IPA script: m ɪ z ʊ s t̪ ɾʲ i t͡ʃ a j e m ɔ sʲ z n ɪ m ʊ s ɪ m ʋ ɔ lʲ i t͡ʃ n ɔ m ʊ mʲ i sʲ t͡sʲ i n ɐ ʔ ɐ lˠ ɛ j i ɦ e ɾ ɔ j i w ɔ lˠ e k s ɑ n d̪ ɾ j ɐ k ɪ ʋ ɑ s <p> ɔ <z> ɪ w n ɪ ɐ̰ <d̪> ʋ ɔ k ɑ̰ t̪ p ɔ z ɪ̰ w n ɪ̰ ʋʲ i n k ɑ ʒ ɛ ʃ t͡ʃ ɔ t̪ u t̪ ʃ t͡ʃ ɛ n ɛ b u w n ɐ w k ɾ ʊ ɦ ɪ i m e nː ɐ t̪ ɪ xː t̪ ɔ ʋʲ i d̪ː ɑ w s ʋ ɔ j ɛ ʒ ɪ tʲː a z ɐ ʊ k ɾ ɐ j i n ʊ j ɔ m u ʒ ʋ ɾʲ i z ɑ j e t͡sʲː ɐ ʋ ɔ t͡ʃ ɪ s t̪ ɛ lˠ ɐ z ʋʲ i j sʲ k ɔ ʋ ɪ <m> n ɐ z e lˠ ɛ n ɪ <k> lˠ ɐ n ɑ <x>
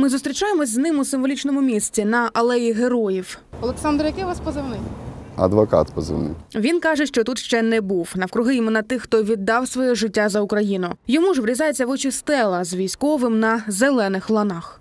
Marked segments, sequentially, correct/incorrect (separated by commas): correct, correct, correct, correct, incorrect, correct